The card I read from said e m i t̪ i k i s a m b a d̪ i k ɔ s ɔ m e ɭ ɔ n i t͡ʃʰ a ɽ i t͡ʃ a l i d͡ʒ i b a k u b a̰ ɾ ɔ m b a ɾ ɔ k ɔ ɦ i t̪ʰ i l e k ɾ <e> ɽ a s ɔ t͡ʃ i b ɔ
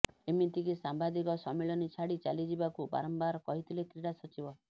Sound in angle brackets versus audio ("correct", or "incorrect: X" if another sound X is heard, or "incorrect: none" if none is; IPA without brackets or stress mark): incorrect: i